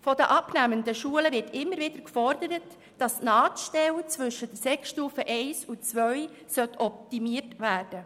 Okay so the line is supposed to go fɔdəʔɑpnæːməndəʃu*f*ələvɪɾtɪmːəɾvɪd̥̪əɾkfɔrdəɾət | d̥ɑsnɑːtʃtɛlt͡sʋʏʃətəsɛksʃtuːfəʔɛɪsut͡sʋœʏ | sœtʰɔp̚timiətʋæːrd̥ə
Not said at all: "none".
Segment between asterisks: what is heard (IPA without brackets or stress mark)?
none